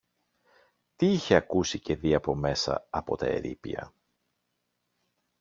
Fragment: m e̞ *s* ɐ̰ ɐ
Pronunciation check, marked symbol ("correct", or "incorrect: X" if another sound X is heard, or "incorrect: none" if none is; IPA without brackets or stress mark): correct